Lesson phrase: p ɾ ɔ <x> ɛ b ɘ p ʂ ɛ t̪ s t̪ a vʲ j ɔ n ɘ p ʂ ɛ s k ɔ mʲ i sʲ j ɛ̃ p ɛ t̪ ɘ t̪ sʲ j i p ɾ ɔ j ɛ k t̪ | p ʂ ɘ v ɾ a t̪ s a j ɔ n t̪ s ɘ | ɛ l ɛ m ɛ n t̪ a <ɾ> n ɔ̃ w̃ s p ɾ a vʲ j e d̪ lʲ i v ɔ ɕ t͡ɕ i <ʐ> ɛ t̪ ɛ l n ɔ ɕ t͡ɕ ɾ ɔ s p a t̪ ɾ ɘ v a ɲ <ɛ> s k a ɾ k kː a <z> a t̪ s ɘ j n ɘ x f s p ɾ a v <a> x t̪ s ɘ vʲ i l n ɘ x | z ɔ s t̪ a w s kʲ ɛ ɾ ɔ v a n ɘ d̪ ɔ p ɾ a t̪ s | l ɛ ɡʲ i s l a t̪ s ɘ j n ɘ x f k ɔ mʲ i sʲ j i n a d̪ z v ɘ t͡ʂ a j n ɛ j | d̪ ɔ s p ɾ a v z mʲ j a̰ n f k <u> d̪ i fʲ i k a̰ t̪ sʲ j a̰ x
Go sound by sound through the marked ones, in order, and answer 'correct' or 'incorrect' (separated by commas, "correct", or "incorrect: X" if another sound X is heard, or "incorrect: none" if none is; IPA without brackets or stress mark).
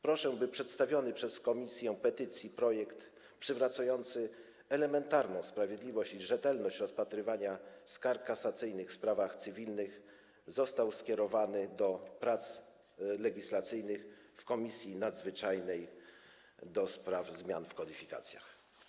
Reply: incorrect: ʂ, correct, correct, incorrect: a, incorrect: s, correct, incorrect: ɔ